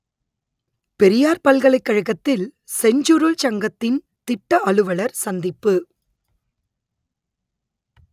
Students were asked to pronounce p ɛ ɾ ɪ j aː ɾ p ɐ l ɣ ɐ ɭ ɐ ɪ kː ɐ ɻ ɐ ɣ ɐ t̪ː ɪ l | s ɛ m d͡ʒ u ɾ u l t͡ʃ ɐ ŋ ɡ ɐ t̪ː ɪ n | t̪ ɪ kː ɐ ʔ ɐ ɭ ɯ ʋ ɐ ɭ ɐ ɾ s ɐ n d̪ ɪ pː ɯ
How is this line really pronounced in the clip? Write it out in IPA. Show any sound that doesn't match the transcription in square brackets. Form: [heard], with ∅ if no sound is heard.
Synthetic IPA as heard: p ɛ ɾ ɪ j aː ɾ p ɐ l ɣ ɐ ɭ ɐ ɪ kː ɐ ɻ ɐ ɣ ɐ t̪ː ɪ l | s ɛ [ɲ] d͡ʒ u ɾ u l t͡ʃ ɐ ŋ ɡ ɐ t̪ː ɪ n | t̪ ɪ [ʈː] ɐ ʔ ɐ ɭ ɯ ʋ ɐ ɭ ɐ ɾ s ɐ n d̪ ɪ pː ɯ